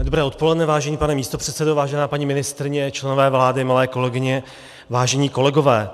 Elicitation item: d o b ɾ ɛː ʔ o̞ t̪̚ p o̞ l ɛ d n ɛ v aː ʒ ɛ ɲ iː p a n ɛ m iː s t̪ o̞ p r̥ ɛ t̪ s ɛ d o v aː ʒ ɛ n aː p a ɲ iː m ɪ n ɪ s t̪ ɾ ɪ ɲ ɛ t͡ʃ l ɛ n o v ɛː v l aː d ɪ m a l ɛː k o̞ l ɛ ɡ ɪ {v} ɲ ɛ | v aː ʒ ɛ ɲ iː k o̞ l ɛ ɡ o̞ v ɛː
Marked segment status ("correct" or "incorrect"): incorrect